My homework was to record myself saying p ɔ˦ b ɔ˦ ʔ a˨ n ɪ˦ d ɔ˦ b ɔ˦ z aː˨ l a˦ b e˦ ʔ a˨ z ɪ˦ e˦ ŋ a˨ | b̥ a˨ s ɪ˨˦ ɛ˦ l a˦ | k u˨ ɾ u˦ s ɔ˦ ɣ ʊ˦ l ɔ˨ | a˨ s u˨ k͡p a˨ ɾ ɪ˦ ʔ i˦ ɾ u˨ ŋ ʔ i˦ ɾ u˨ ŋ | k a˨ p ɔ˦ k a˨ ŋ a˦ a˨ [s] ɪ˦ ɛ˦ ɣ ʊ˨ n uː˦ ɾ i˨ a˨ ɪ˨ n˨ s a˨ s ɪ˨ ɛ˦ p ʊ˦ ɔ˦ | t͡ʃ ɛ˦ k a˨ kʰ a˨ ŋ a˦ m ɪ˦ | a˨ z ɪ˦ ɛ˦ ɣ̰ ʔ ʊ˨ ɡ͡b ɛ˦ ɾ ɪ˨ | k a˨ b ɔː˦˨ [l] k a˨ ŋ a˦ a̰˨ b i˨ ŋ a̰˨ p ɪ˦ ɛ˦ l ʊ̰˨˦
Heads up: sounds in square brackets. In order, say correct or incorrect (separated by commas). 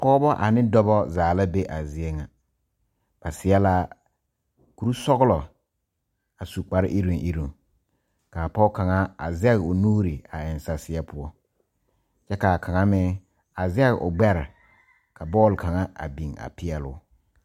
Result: incorrect, correct